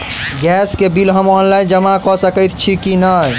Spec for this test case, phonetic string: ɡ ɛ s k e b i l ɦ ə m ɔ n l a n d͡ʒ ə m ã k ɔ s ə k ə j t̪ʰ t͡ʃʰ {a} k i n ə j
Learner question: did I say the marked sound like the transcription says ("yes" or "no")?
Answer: no